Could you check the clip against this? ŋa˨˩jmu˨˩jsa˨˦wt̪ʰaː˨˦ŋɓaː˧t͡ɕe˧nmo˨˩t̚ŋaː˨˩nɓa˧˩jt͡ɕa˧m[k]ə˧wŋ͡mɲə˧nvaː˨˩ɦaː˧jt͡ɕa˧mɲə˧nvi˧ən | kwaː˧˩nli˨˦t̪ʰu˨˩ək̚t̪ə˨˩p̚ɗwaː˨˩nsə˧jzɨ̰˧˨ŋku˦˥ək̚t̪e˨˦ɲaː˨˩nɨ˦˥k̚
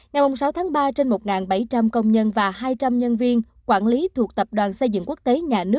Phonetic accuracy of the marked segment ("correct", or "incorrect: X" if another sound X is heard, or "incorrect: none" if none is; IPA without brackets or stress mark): correct